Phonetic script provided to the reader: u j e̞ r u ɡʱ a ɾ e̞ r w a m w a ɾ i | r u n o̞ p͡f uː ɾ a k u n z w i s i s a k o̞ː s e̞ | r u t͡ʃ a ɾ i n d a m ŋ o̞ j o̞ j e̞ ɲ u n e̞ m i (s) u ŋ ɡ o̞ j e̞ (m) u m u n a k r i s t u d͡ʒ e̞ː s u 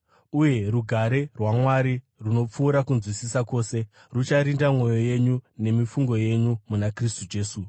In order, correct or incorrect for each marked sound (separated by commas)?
incorrect, incorrect